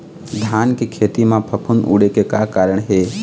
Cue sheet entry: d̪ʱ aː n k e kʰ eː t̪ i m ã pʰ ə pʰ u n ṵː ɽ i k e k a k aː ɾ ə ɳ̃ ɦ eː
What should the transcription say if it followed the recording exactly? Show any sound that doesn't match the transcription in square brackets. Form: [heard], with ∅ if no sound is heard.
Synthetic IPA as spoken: d̪ʱ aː n k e kʰ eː t̪ i m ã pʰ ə pʰ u n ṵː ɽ [e] k e k a k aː ɾ ə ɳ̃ ɦ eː